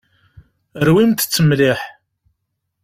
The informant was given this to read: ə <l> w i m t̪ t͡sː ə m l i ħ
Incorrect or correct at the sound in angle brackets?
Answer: incorrect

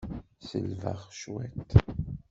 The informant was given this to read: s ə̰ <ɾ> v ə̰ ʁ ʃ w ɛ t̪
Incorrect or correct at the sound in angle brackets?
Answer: incorrect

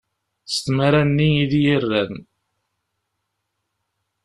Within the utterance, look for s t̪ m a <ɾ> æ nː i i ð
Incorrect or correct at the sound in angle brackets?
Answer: correct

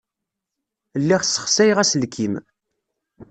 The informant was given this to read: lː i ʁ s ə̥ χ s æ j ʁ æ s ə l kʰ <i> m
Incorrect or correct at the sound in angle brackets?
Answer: correct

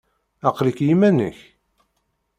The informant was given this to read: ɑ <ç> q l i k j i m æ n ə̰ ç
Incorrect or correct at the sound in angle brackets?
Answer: incorrect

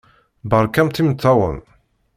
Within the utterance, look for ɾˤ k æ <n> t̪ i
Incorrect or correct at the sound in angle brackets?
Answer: incorrect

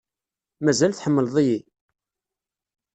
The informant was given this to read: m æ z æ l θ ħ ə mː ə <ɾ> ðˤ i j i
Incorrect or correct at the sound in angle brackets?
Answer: incorrect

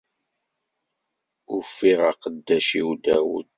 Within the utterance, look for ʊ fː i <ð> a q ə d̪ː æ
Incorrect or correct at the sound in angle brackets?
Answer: incorrect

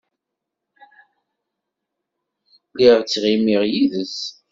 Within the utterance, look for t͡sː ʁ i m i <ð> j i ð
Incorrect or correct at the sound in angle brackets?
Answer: incorrect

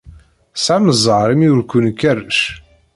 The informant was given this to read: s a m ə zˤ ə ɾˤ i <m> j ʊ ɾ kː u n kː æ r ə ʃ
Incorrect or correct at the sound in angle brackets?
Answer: correct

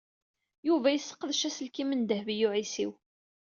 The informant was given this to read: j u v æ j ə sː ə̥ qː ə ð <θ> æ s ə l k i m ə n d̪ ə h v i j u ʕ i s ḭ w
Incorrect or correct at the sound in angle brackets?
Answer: incorrect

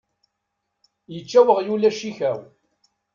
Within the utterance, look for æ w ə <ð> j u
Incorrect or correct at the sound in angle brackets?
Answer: incorrect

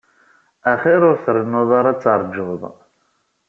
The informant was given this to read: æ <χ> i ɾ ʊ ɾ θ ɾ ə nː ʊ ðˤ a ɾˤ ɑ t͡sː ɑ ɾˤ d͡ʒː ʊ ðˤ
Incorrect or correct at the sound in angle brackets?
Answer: correct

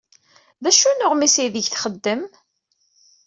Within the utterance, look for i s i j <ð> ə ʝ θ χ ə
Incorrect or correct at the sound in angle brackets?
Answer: correct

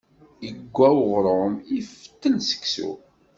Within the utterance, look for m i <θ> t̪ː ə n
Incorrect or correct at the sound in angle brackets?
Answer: incorrect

